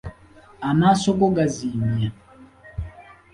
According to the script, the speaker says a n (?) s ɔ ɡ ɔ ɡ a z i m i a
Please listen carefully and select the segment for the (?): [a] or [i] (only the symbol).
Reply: a